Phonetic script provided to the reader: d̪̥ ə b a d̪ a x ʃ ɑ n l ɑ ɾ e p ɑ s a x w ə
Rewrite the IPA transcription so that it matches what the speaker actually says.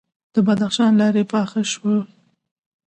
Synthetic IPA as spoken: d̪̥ ə b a d̪ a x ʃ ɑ n l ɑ ɾ e p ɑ x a ʃ w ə